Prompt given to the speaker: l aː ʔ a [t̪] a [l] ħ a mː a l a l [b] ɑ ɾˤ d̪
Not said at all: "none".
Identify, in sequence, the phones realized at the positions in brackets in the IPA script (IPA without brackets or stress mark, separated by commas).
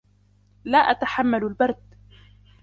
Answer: t̪, none, b